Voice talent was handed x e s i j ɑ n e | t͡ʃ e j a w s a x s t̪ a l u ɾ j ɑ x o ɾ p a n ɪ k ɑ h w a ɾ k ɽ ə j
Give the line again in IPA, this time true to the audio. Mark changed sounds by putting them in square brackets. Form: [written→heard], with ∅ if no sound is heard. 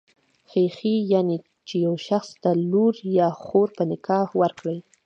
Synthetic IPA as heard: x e [s→x] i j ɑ n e | t͡ʃ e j a w [s→ʃ] a x s t̪ a l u ɾ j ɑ x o ɾ p [a→ə] n ɪ k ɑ h w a ɾ k ɽ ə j